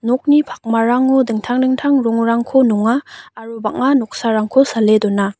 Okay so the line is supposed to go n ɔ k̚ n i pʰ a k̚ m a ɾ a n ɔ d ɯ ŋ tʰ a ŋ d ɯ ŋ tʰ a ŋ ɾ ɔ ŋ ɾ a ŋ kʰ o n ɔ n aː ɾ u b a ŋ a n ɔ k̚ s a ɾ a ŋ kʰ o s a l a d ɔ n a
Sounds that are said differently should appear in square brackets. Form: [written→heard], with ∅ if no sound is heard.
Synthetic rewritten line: n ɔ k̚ n i pʰ a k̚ m a ɾ a [n→ŋ] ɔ d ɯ ŋ tʰ a ŋ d ɯ ŋ tʰ a ŋ ɾ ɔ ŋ ɾ a ŋ kʰ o n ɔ [n→ŋ] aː ɾ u b a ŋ a n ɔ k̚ s a ɾ a ŋ kʰ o s a l [a→e] d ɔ n a